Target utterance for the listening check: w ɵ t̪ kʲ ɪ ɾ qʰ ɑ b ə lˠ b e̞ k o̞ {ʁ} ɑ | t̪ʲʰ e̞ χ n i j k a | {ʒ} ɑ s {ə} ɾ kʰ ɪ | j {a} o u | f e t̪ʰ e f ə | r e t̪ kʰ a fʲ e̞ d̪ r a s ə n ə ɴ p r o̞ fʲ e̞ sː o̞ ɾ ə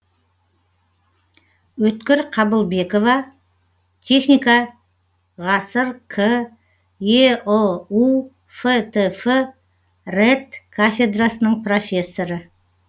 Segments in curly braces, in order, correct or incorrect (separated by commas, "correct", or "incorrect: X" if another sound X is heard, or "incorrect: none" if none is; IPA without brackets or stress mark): incorrect: v, incorrect: ʁ, correct, incorrect: e